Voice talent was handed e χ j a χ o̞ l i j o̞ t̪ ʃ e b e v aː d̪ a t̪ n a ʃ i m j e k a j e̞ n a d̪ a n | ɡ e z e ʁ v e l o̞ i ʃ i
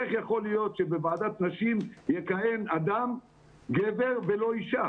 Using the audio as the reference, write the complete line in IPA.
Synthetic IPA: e χ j a χ o̞ l i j o̞ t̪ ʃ e b e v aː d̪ a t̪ n a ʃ i m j e k a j e̞ n a d̪ a m | ɡ e v e ʁ v e l o̞ i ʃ a